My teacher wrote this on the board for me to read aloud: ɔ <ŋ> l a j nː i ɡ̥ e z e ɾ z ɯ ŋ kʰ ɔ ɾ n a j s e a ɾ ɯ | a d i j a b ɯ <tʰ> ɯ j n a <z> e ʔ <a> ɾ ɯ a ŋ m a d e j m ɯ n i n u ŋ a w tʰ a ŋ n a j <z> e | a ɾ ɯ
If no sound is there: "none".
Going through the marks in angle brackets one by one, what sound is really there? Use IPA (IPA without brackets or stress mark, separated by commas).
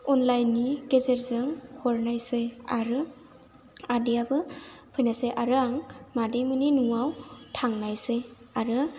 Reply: n, pʰ, s, a, s